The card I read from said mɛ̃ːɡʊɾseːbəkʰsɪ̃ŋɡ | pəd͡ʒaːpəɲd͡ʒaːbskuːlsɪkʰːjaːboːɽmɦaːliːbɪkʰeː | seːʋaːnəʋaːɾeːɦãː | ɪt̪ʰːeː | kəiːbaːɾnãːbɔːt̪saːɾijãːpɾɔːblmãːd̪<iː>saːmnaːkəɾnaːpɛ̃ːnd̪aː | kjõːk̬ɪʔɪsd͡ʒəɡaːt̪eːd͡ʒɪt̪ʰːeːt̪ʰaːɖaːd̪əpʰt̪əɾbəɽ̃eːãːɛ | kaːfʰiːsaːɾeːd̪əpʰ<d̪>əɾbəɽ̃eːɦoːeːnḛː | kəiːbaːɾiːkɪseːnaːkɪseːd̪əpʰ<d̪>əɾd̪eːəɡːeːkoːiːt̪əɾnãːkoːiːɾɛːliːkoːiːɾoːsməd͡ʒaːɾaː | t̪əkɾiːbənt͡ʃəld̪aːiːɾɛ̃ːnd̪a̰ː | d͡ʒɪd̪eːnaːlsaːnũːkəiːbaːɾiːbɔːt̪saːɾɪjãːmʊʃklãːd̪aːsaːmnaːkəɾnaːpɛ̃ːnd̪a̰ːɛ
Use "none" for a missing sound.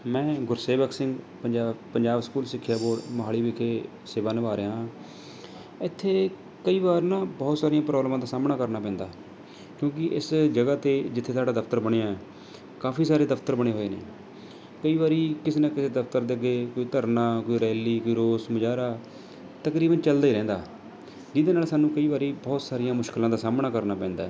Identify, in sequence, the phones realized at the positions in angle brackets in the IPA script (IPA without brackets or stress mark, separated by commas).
aː, t̪, t̪